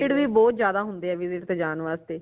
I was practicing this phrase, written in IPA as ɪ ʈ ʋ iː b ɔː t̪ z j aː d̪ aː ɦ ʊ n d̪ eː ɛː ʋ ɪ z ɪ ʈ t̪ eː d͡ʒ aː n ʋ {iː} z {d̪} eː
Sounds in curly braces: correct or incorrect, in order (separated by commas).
incorrect, incorrect